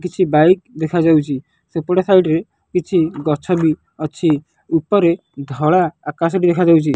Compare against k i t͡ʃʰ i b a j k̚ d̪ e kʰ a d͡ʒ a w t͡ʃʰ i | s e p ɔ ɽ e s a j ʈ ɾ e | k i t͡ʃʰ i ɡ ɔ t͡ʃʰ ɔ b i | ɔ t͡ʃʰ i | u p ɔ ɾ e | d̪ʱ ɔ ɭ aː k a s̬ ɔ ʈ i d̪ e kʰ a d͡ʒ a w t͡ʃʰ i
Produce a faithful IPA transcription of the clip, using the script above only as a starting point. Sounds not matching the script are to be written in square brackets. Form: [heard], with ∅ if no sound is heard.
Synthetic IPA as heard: k i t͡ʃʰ i b a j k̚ d̪ e kʰ a d͡ʒ a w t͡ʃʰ i | s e p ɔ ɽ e s a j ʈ ɾ e | k i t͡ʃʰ i ɡ ɔ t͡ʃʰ ɔ b i | ɔ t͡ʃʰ i | u p ɔ ɾ e | d̪ʱ ɔ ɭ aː k a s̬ ɔ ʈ i d̪ e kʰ a d͡ʒ a w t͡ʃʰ i